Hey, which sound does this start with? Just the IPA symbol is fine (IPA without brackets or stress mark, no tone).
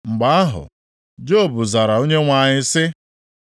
ŋ͡m̩